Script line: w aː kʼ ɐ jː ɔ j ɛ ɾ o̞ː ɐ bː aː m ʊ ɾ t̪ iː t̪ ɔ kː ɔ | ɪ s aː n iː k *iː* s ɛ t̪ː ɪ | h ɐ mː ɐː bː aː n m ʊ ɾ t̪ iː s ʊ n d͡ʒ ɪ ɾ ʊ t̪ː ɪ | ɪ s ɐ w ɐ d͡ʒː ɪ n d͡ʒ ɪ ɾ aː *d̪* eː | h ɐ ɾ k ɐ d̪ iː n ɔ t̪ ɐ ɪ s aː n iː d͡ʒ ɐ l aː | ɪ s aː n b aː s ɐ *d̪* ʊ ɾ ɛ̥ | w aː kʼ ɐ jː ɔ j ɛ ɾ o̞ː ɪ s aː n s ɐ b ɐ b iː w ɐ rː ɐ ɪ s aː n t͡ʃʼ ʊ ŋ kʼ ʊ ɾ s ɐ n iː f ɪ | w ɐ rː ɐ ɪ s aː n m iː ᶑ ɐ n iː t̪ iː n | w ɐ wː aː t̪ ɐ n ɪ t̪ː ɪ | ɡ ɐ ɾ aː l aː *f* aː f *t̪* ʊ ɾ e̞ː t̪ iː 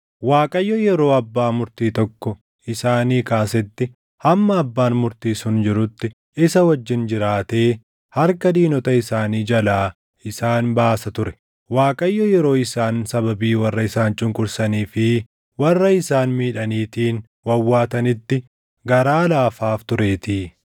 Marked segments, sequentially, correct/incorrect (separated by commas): incorrect, incorrect, incorrect, correct, correct